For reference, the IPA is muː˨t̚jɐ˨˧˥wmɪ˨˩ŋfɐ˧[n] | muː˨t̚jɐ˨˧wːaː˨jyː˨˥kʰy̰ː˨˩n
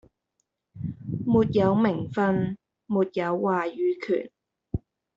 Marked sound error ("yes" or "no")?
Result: no